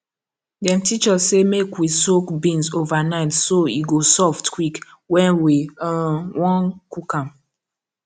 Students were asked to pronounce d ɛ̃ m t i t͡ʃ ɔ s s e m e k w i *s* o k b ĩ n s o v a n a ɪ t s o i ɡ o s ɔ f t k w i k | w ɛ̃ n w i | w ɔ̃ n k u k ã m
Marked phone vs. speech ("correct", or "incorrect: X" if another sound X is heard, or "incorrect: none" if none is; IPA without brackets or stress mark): correct